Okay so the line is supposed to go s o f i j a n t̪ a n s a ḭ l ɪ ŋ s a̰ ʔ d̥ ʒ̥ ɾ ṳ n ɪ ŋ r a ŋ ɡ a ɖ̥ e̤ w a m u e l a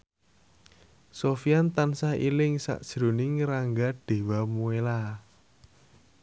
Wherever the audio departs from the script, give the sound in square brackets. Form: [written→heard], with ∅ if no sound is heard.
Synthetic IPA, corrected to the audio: s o f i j a n t̪ a n s a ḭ l ɪ ŋ s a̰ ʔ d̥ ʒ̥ ɾ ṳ n ɪ ŋ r a ŋ ɡ a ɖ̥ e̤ w a m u e l a